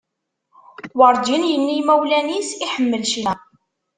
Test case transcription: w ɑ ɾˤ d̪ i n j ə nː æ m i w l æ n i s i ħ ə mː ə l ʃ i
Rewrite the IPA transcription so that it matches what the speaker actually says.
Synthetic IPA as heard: w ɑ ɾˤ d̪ i n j ə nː i m æ w l æ n i s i ħ ə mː ə l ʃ i

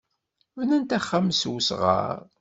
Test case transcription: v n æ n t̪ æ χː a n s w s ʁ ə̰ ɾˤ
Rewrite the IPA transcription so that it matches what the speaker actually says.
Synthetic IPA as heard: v n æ n t̪ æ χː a m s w s ʁ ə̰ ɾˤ

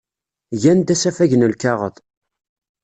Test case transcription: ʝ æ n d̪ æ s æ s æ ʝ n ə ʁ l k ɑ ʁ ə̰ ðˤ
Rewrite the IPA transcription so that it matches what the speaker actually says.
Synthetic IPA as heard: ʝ æ n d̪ æ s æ f æ ʝ n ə l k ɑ ʁ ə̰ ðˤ

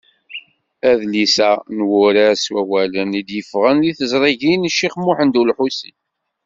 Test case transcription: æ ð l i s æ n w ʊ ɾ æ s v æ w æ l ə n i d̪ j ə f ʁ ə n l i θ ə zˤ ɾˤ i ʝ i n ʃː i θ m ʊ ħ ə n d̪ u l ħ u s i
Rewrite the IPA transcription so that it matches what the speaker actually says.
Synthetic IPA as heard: æ ð l i s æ n w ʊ ɾ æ s w æ w æ l ə n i d̪ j ə f ʁ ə n l i θ ə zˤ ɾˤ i ʝ i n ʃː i χ m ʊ ħ ə n d̪ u l ħ u s i

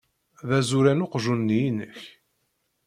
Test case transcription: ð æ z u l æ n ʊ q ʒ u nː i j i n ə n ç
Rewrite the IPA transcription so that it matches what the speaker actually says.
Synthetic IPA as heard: ð æ z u ɾ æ n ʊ q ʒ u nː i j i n ə ç

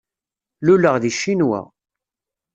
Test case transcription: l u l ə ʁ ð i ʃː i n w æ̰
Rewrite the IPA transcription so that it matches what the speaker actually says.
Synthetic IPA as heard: l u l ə ʁ ð i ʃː i n w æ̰

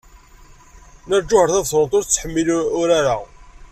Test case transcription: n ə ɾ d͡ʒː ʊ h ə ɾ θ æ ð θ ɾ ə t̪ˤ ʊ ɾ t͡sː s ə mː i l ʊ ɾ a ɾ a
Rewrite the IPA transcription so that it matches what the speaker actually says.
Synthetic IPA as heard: n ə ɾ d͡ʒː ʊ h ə ɾ θ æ ð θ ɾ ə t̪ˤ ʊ ɾ t͡sː ħ ə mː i l ʊ ɾ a ɾ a

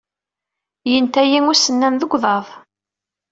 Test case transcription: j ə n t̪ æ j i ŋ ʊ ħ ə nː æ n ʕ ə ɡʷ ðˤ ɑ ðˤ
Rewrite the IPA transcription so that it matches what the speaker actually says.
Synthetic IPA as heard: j ə n t̪ æ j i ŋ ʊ s ə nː æ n ð ə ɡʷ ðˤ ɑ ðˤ

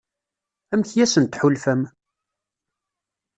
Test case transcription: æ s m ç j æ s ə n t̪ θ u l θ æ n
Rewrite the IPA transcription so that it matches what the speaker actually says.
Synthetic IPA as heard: æ m ç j æ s ə n t̪ ħ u l f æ m

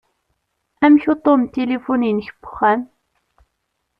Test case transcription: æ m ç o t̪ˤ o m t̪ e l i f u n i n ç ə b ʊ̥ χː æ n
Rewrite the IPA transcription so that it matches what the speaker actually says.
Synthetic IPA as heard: æ m ç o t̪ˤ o m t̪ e l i f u n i n ç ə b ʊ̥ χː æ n

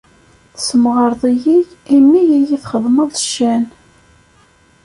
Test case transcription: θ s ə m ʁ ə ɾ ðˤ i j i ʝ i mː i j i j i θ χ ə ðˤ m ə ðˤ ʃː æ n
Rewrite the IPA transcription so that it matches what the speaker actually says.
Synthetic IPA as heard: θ s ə m ʁ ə ɾ ðˤ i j i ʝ i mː i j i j i θ χ ə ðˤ m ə ðˤ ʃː æ n

